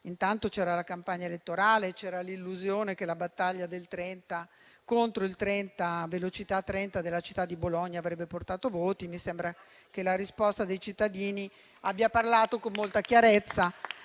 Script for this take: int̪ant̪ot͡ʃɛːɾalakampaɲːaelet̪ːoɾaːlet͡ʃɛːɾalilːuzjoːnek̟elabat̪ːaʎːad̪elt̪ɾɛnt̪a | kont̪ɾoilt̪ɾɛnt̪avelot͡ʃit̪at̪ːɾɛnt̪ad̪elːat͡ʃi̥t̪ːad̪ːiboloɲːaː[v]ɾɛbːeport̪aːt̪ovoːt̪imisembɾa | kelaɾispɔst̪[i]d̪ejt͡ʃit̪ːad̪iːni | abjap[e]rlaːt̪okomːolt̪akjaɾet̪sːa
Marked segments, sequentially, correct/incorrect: correct, incorrect, incorrect

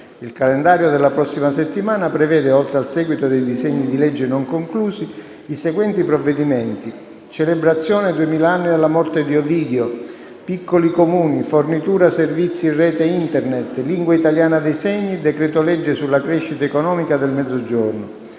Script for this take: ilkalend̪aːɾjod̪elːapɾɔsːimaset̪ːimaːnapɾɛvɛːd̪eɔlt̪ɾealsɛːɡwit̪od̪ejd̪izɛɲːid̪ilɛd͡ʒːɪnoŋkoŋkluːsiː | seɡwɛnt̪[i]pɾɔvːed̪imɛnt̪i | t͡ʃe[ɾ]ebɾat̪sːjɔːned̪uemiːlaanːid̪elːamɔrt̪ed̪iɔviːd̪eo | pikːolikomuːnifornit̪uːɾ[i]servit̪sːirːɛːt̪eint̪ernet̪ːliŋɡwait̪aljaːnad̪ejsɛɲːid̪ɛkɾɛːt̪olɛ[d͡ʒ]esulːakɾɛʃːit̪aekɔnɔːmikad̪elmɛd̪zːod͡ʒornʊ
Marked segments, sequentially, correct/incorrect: correct, incorrect, incorrect, incorrect

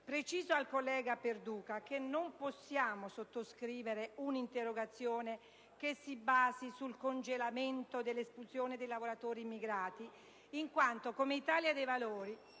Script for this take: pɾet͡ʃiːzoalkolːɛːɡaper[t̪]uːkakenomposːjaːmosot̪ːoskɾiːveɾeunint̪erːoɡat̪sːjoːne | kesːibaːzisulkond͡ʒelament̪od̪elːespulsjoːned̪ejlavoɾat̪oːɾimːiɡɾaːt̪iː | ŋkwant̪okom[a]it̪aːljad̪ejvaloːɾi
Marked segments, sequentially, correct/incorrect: incorrect, incorrect

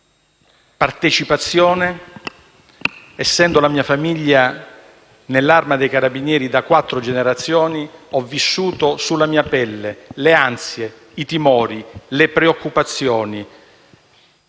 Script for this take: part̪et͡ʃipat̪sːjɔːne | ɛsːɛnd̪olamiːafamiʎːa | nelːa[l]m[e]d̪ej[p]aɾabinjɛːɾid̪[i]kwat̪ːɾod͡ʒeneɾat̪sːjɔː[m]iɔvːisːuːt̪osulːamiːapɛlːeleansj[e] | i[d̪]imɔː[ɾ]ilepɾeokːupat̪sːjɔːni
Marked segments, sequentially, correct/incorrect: incorrect, incorrect, incorrect, incorrect, incorrect, correct, incorrect, correct

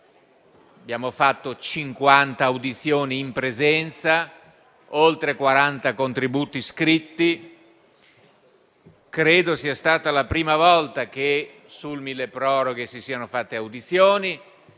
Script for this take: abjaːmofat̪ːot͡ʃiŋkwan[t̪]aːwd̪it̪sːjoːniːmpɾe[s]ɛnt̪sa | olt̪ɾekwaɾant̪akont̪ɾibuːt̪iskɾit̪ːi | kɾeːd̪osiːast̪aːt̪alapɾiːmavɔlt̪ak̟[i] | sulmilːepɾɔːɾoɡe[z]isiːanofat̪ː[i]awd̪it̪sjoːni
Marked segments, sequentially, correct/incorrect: correct, incorrect, incorrect, incorrect, incorrect

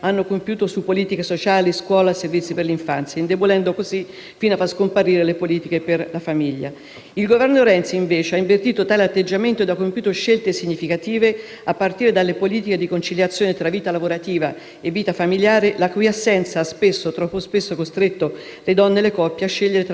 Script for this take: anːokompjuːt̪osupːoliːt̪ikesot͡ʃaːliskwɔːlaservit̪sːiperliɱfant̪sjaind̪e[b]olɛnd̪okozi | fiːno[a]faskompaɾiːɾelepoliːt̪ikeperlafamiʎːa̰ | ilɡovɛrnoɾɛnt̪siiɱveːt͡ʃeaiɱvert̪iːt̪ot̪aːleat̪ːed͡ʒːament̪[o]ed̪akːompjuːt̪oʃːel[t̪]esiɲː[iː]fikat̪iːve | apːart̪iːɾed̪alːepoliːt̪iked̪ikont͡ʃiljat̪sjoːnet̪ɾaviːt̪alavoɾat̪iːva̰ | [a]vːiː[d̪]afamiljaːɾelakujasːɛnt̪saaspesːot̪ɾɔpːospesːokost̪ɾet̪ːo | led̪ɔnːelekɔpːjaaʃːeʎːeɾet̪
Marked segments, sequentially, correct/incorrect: correct, correct, correct, correct, incorrect, incorrect, incorrect

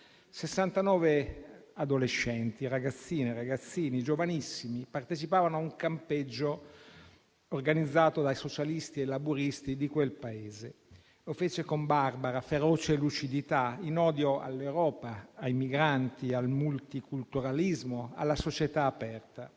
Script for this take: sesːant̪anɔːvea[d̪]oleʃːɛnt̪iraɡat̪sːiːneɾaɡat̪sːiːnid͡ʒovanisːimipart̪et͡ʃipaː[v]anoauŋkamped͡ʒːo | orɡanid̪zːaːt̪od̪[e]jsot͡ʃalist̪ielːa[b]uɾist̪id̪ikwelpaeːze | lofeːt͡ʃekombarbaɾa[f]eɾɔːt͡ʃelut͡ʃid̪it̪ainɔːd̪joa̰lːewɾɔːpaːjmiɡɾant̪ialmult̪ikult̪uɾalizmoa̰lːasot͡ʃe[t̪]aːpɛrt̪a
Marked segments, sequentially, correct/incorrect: correct, correct, incorrect, correct, correct, correct

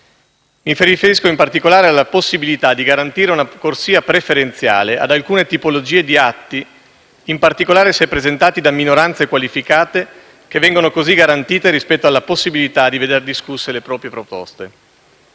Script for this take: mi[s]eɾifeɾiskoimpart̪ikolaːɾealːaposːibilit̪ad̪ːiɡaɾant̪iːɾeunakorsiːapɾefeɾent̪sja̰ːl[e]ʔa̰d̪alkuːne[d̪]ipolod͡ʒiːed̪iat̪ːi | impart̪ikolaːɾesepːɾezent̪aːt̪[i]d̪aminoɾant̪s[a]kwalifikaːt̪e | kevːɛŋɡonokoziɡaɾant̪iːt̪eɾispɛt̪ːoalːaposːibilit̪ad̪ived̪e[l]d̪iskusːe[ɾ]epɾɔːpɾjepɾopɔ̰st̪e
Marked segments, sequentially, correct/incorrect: incorrect, correct, incorrect, correct, incorrect, incorrect, incorrect

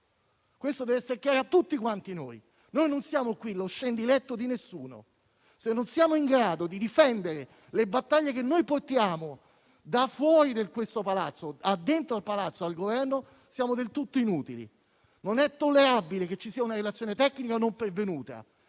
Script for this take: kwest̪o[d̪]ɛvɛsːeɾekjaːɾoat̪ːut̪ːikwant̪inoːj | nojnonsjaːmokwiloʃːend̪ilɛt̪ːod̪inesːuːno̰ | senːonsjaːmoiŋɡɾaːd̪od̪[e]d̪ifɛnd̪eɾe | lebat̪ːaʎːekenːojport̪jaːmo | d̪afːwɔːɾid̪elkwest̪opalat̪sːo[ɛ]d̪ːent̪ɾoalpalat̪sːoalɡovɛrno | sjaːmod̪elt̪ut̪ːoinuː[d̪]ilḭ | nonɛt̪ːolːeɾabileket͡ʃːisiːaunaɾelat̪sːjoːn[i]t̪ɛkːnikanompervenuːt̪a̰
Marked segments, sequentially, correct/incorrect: correct, incorrect, incorrect, incorrect, incorrect

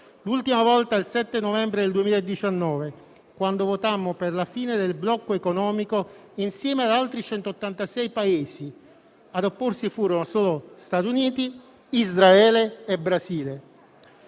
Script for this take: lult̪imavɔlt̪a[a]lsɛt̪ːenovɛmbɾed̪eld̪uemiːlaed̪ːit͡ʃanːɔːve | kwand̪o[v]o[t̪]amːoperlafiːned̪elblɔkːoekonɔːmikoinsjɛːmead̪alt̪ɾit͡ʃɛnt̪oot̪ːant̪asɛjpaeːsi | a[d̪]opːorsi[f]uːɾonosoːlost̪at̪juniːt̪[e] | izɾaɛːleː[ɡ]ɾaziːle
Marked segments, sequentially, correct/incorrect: incorrect, correct, correct, correct, correct, incorrect, incorrect

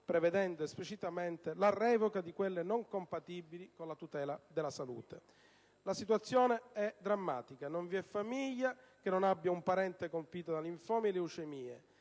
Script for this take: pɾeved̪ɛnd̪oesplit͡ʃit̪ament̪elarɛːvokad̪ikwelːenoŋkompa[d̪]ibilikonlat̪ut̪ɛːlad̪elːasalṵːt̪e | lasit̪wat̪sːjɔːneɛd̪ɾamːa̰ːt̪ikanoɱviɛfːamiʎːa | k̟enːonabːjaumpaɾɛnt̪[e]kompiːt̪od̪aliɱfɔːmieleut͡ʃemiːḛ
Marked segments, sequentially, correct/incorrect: incorrect, correct

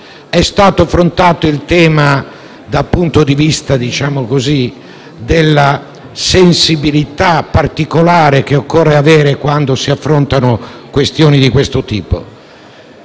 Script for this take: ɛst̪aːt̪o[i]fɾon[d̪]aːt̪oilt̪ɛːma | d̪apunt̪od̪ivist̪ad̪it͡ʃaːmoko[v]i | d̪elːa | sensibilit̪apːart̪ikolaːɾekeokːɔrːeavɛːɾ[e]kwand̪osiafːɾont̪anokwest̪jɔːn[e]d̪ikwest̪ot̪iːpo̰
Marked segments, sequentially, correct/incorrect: incorrect, incorrect, incorrect, correct, incorrect

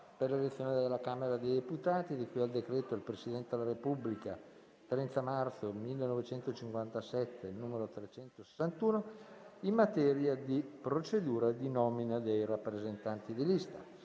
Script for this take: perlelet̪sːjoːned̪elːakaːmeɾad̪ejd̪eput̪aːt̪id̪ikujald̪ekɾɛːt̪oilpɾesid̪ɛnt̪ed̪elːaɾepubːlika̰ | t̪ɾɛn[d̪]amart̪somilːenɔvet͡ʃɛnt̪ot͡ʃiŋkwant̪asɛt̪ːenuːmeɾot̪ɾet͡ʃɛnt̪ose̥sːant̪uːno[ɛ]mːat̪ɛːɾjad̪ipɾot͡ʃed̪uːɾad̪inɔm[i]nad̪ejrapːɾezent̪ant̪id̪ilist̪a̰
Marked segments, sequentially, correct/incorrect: incorrect, incorrect, correct

